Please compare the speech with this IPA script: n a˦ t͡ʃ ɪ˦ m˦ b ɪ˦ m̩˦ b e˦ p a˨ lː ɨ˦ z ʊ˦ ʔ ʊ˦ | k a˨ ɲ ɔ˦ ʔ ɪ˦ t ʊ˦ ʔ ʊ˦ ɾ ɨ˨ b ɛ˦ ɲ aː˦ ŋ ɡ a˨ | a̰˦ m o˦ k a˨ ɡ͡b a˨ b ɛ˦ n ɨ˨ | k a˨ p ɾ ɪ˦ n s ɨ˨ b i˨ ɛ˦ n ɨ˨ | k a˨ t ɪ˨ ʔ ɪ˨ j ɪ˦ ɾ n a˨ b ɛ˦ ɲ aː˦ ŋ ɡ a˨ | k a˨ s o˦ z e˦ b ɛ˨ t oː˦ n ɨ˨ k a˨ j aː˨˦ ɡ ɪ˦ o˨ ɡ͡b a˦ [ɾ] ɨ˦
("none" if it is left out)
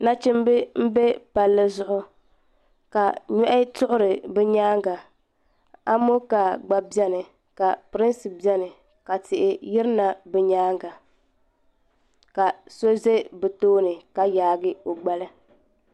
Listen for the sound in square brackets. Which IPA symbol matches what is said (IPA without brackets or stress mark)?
l